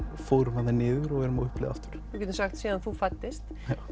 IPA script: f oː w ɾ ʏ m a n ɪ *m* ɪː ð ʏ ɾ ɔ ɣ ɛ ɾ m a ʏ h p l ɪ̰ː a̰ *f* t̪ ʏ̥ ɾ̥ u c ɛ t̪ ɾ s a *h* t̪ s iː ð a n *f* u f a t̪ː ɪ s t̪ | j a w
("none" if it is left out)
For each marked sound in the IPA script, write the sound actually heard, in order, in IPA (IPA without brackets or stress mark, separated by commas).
n, f, x, θ